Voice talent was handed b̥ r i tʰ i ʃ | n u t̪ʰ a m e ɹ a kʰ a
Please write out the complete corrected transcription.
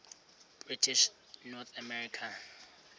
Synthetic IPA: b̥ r i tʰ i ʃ | n ɔ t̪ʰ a m ɛ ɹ i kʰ a